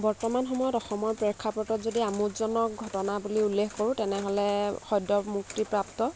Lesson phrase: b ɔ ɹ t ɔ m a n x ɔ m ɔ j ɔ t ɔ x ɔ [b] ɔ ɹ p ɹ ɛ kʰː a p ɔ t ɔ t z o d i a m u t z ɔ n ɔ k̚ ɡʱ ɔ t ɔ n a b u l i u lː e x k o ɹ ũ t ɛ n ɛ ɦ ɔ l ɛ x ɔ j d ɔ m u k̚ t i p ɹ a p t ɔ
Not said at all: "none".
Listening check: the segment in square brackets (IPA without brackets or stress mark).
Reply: m